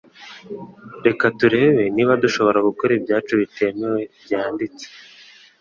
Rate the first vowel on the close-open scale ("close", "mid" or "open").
mid